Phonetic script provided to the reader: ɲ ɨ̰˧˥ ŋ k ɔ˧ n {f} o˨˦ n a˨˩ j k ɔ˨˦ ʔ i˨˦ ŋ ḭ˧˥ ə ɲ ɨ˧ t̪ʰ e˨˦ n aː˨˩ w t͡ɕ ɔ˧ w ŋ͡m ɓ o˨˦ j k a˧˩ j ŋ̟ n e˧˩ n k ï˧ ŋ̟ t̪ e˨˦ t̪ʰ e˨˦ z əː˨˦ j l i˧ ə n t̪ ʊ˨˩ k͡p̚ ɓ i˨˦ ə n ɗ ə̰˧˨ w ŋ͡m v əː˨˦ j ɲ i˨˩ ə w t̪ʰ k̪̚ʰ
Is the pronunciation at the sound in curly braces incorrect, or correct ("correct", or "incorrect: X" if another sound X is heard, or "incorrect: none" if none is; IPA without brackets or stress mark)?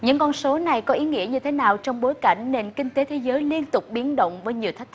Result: incorrect: s